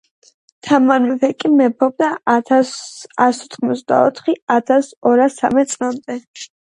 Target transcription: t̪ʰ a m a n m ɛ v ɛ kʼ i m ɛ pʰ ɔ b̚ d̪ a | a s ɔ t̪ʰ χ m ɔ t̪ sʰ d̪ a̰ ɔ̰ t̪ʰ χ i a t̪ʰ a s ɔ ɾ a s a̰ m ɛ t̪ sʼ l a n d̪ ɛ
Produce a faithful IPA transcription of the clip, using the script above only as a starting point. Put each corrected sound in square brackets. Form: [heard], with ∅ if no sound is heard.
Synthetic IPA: t̪ʰ a m a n m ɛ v ɛ kʼ i m ɛ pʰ ɔ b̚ d̪ a | a s ɔ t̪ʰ χ m ɔ t̪ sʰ d̪ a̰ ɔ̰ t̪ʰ χ i a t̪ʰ a s ɔ ɾ a s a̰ m ɛ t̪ sʼ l a [m] d̪ ɛ